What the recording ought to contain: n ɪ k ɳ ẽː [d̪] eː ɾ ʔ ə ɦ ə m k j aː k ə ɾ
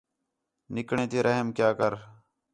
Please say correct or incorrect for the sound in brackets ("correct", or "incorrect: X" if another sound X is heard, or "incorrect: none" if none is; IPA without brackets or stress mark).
incorrect: t̪